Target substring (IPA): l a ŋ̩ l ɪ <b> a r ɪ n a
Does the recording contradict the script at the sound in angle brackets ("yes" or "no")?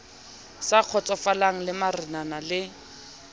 yes